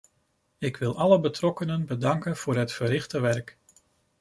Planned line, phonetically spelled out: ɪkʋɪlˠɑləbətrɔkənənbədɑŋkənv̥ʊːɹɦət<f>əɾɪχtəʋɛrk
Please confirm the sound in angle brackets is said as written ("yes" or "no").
yes